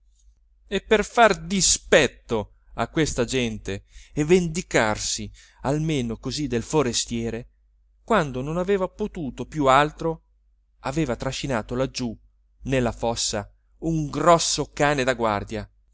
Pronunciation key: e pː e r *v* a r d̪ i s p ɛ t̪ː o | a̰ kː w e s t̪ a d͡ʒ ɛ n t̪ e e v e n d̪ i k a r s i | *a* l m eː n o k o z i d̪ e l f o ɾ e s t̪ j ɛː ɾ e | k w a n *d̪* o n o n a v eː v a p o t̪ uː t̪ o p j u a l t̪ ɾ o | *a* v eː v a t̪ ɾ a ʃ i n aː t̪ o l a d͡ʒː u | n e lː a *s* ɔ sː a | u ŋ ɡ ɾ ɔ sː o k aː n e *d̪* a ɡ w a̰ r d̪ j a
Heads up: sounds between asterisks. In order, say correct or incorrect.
incorrect, correct, correct, correct, incorrect, correct

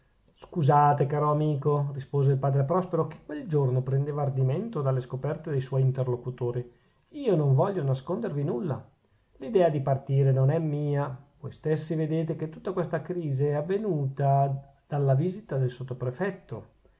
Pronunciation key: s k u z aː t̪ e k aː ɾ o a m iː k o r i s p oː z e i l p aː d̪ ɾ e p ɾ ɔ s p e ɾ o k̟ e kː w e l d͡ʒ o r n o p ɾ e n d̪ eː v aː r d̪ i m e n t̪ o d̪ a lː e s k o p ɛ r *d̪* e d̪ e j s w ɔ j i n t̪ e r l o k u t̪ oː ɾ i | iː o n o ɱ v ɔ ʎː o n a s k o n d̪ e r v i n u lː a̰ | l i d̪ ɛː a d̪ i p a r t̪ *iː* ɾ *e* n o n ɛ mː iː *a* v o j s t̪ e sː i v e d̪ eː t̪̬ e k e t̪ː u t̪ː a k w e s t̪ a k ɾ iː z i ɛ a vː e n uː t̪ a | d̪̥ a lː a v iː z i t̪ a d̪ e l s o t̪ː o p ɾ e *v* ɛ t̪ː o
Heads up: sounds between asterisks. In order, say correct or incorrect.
incorrect, correct, correct, correct, incorrect

